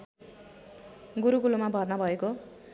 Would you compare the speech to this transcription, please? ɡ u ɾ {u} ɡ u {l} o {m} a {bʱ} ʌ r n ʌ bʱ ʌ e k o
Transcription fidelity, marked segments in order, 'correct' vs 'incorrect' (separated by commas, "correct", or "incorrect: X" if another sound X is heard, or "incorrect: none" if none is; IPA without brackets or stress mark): correct, correct, correct, correct